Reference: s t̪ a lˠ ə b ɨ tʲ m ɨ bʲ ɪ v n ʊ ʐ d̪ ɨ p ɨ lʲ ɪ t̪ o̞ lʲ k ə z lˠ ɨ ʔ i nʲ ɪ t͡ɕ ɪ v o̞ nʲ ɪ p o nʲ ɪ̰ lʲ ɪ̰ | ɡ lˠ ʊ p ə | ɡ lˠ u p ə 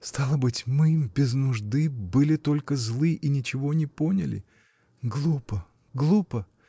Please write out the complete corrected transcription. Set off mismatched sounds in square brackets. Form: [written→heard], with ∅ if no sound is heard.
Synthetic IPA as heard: s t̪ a lˠ ə b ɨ tʲ m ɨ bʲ ɪ [v→z] n ʊ ʐ d̪ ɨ [p→b] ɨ lʲ ɪ t̪ o̞ lʲ k ə z lˠ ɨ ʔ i nʲ ɪ t͡ɕ ɪ v o̞ nʲ ɪ p o nʲ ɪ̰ lʲ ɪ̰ | ɡ lˠ [ʊ→u] p ə | ɡ lˠ u p ə